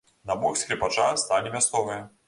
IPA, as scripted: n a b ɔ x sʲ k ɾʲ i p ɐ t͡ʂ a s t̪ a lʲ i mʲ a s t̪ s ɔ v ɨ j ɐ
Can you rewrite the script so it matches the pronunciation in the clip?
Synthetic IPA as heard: n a b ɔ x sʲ k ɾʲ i p a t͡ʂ a s t̪ a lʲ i mʲ a s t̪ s ɔ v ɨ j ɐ

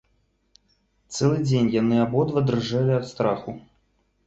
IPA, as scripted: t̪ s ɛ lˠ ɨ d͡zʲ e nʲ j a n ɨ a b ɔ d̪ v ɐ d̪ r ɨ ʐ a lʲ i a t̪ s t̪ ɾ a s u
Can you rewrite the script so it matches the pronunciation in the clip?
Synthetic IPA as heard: t̪ s ɛ lˠ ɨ d͡zʲ e nʲ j a n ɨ a b ɔ d̪ v ɐ d̪ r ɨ ʐ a lʲ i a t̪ s t̪ ɾ a x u

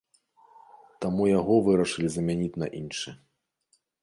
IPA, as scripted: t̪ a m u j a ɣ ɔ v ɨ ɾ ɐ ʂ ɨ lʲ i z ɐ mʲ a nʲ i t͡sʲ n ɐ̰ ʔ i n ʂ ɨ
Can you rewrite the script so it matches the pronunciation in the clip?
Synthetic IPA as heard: t̪ a m u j a ɣ ɔ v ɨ ɾ ɐ ʂ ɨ lʲ i z ɐ mʲ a nʲ i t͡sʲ n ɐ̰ ʔ i n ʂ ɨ

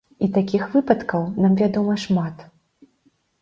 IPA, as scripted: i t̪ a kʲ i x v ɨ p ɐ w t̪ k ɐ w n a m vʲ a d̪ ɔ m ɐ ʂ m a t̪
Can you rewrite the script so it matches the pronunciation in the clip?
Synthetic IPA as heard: i t̪ a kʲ i x v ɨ p ɐ t̪ k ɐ w n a m vʲ a d̪ ɔ m ɐ ʂ m a t̪

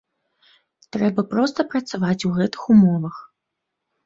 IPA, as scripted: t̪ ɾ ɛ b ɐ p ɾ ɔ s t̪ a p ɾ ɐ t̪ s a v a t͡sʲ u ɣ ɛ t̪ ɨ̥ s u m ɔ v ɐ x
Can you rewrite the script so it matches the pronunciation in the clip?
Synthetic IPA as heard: t̪ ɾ ɛ b ɐ p ɾ ɔ s t̪ ɐ p ɾ ɐ t̪ s a v a t͡sʲ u ɣ ɛ t̪ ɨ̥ x u m ɔ v ɐ x

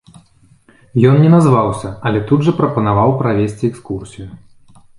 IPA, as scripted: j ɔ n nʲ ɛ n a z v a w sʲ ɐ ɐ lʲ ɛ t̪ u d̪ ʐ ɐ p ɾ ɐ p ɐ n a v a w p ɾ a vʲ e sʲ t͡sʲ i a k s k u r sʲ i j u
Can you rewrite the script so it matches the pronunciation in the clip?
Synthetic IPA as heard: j ɔ n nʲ ɛ n a z v a w sʲ ɐ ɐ lʲ ɛ t̪ u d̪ ʐ ɐ p ɾ ɐ p ɐ n a v a w p ɾ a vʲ e sʲ t͡sʲ i ɛ k s k u r sʲ i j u

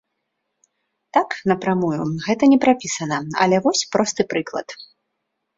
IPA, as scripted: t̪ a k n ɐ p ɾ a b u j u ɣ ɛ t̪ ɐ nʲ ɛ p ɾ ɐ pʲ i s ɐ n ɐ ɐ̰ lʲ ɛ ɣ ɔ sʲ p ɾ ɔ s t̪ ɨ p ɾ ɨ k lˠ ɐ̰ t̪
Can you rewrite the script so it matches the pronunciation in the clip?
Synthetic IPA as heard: t̪ a k n ɐ p ɾ a m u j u ɣ ɛ t̪ ɐ nʲ ɛ p ɾ a pʲ i s ɐ n ɐ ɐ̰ lʲ ɛ v ɔ sʲ p ɾ ɔ s t̪ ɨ p ɾ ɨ k lˠ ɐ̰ t̪

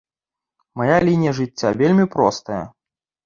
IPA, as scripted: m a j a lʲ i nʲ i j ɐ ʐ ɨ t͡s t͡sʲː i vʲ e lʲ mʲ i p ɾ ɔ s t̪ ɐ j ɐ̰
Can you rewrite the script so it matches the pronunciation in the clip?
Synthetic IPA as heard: m a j a lʲ i nʲ i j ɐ ʐ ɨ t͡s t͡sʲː a vʲ e lʲ mʲ i p ɾ ɔ s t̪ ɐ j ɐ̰

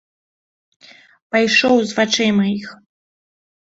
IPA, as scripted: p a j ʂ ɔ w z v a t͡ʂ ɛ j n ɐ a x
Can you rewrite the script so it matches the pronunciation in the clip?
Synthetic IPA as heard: p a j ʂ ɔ w z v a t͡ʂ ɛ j m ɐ i x

